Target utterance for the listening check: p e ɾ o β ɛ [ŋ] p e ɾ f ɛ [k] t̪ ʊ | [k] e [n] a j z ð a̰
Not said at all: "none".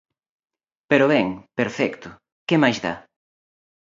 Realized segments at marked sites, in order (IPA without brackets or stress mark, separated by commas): ŋ, k, k, m